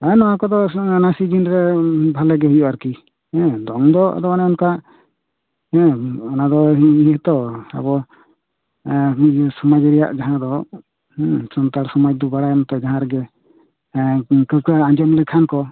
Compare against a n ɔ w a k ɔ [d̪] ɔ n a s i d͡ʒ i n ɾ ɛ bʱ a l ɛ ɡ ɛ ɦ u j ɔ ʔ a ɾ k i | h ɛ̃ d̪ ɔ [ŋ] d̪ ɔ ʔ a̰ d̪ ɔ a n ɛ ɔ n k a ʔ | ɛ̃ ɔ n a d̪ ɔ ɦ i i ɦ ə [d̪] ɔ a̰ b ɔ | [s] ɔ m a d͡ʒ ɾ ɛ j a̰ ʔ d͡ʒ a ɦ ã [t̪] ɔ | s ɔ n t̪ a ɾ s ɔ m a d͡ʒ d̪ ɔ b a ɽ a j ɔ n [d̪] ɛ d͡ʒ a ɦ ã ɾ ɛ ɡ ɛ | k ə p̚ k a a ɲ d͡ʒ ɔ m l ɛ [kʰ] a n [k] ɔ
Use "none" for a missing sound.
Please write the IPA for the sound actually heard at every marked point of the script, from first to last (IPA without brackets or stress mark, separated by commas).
d̪, ŋ, t̪, s, d̪, t̪, kʰ, k